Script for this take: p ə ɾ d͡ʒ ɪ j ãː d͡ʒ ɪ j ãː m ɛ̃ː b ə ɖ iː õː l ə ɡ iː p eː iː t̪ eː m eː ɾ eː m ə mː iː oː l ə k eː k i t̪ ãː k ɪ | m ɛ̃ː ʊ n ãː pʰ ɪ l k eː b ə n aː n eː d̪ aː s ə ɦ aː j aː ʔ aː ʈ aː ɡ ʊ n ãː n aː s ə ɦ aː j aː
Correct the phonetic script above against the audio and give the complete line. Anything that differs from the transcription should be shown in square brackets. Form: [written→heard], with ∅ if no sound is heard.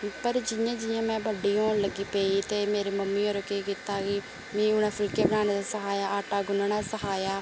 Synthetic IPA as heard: p ə ɾ d͡ʒ ɪ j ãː d͡ʒ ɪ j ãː m ɛ̃ː b ə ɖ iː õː l ə ɡ iː p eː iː t̪ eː m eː ɾ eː m ə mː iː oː [l→ɾ] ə k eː k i t̪ [ãː→aː] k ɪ | m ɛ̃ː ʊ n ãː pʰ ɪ l k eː b ə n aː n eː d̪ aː s ə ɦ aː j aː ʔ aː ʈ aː ɡ ʊ n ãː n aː s ə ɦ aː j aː